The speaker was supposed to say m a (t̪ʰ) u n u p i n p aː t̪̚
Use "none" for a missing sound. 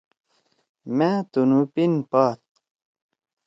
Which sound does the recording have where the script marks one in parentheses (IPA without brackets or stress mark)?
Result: t̪